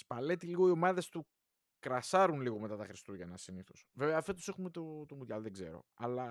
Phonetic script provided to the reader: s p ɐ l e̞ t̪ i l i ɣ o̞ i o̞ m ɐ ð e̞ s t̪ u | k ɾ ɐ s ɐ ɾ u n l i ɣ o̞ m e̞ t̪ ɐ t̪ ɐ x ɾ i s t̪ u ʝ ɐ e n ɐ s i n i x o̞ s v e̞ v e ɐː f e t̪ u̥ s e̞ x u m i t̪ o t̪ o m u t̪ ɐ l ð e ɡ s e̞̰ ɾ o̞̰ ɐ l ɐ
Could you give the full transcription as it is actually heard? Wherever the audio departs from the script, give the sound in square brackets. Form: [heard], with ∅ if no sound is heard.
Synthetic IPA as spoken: s p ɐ l e̞ t̪ i l i ɣ o̞ i o̞ m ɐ ð e̞ s t̪ u | k ɾ ɐ s ɐ ɾ u n l i ɣ o̞ m e̞ t̪ ɐ t̪ ɐ x ɾ i s t̪ u ʝ ɐ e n ɐ s i n i [θ] o̞ s v e̞ v e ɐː f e t̪ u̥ s e̞ x u m [e] t̪ o t̪ o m u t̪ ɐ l ð e ɡ [z] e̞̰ ɾ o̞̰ ɐ l ɐ